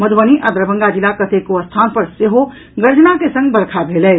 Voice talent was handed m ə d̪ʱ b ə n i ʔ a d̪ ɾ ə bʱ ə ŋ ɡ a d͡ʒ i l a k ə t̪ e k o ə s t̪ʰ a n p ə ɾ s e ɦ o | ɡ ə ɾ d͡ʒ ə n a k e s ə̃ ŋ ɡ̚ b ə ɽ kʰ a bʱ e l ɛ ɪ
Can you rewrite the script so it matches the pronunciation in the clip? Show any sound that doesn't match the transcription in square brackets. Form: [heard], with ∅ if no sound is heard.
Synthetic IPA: m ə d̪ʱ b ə n i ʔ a d̪ ɾ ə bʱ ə ŋ ɡ a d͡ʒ i l a k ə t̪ e k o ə s t̪ʰ a n p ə ɾ s e ɦ o | ɡ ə ɾ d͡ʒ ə n a k e s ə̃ ŋ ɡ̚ b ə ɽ kʰ a bʱ e l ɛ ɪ